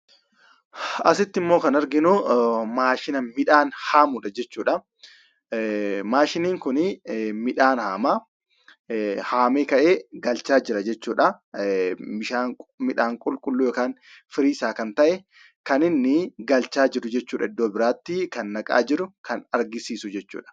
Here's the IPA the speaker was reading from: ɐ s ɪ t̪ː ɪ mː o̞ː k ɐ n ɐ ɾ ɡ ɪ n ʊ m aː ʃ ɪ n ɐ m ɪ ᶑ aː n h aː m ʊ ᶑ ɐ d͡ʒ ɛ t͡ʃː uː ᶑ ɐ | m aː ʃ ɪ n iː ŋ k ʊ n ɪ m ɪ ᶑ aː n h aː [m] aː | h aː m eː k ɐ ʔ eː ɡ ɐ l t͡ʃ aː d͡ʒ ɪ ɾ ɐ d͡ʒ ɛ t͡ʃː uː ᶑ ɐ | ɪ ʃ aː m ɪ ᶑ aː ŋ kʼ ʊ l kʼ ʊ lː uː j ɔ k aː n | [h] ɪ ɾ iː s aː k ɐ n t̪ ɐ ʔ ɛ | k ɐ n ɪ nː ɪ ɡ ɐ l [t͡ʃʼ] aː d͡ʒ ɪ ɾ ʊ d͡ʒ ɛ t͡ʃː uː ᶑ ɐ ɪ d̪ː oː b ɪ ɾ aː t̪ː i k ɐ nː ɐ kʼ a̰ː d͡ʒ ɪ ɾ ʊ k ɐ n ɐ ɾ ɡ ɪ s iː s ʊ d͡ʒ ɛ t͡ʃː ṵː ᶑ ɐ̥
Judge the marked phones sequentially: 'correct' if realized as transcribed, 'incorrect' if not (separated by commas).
correct, incorrect, incorrect